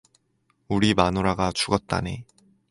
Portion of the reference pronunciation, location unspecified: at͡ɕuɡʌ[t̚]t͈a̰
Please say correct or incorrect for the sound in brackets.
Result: correct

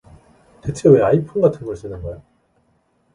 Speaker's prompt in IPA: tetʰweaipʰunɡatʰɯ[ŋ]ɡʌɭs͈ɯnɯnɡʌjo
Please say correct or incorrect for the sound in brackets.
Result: incorrect: n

